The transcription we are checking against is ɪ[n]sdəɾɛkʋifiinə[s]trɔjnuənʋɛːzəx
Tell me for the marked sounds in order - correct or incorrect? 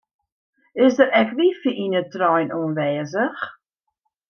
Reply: incorrect, incorrect

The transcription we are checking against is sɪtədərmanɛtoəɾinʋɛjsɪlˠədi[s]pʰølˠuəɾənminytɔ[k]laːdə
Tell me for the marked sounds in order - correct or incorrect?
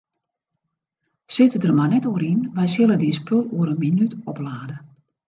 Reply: correct, incorrect

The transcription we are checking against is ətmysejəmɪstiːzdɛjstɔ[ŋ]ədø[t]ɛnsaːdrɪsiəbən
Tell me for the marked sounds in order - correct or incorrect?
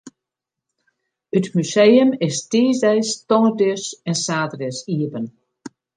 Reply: correct, incorrect

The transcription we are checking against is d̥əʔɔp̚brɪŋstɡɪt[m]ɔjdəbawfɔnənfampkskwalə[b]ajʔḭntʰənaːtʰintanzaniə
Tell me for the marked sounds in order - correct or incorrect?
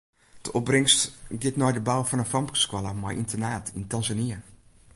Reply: incorrect, incorrect

